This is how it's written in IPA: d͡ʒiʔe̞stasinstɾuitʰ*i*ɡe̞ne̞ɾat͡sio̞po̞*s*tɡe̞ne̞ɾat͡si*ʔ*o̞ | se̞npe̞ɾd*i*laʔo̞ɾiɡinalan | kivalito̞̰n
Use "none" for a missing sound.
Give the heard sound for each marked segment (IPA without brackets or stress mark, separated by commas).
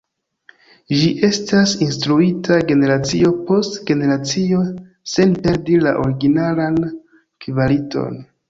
a, s, none, i